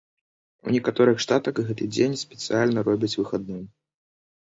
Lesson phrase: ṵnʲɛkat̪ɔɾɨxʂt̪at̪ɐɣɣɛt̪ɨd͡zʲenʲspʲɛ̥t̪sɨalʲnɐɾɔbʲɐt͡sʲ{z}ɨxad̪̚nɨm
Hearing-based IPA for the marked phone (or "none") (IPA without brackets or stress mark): v